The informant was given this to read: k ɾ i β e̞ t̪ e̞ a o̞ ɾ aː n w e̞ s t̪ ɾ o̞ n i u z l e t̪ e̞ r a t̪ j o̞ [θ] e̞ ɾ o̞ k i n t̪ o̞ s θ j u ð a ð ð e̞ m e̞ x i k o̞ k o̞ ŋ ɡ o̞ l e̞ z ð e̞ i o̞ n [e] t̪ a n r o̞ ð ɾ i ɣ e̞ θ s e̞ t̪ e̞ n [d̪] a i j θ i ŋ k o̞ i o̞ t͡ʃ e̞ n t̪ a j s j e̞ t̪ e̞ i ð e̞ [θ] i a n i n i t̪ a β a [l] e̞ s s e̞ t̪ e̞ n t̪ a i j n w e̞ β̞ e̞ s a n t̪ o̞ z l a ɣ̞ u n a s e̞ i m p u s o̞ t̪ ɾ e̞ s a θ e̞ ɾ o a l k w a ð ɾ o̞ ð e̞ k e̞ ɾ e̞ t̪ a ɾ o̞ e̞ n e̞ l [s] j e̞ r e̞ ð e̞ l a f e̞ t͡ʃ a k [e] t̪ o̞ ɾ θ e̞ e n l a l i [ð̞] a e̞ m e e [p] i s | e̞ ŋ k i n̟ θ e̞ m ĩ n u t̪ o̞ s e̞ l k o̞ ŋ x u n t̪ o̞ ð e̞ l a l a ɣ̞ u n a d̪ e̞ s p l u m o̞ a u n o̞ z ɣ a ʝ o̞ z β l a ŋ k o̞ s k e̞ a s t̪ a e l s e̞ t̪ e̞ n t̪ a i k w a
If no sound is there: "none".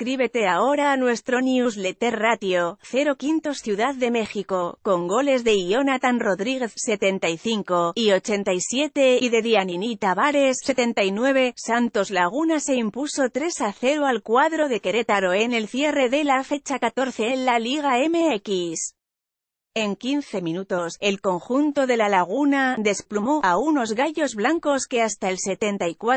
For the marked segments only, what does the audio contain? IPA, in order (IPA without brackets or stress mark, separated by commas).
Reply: θ, a, t̪, ð, ɾ, θ, a, ɣ̞, k